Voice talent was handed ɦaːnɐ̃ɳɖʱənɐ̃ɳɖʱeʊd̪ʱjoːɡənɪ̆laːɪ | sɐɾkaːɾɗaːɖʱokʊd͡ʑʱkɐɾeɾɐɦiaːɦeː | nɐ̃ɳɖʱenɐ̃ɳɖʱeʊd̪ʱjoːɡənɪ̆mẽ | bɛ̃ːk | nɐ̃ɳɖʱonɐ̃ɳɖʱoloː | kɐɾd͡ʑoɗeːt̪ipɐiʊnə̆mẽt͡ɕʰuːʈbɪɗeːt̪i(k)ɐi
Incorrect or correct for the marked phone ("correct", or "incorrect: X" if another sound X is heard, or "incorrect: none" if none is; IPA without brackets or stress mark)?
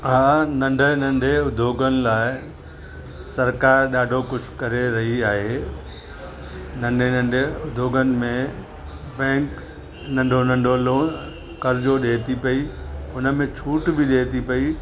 incorrect: p